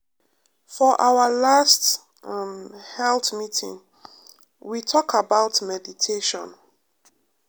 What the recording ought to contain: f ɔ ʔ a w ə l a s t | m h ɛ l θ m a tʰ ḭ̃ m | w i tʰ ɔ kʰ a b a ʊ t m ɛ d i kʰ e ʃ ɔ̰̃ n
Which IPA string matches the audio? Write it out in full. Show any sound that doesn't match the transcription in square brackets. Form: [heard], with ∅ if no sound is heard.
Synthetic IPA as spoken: f ɔ ʔ a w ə l a s t | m h ɛ l θ m [i] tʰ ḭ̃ [ŋ] | w i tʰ ɔ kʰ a b a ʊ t m ɛ d i [tʰ] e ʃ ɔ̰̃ n

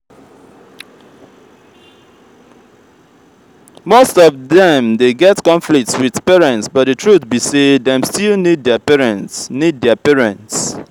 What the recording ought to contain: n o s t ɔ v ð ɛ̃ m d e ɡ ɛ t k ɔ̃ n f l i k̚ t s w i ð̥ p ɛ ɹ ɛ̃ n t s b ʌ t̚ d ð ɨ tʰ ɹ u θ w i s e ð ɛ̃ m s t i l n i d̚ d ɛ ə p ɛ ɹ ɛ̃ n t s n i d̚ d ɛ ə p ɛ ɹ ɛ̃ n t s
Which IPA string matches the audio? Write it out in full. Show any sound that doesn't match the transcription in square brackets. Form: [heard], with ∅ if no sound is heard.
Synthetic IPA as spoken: [m] o s t ɔ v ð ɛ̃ m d e ɡ ɛ t k ɔ̃ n f l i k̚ t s w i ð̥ p ɛ ɹ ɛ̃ n t s b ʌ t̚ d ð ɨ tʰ ɹ u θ [b] i s e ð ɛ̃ m s t i l n i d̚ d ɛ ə p ɛ ɹ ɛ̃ n t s n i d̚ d ɛ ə p ɛ ɹ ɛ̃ n t s

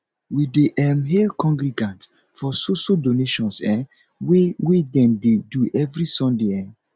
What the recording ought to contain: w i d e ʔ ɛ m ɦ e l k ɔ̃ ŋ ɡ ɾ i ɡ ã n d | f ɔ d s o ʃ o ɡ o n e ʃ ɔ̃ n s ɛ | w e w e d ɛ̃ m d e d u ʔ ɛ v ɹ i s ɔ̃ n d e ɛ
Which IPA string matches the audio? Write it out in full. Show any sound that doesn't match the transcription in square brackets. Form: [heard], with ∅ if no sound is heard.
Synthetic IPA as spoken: w i d e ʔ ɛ m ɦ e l k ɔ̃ ŋ ɡ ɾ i ɡ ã n [t] | f ɔ [∅] s o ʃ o [d] o n e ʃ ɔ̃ n s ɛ | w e w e d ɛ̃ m d e d u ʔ ɛ v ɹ i s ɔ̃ n d e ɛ

